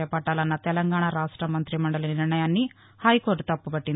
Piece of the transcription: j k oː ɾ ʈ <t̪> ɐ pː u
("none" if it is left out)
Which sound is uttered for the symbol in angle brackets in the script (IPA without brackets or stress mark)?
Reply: t̪